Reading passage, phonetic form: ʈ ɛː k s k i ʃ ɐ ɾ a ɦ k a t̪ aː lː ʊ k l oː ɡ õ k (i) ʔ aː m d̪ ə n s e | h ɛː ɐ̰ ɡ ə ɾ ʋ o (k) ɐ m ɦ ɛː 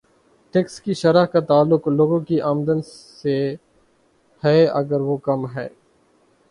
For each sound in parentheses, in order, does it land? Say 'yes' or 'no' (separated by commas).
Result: yes, yes